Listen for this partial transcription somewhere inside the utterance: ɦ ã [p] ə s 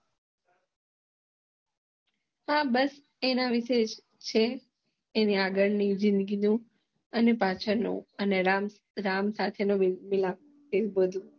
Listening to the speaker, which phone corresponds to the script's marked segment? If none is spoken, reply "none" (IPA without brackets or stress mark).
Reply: b